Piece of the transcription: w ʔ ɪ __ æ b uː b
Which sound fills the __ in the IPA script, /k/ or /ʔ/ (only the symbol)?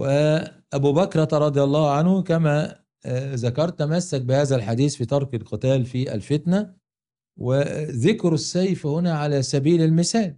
ʔ